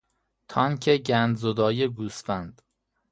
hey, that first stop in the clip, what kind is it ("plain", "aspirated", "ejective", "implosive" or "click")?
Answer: aspirated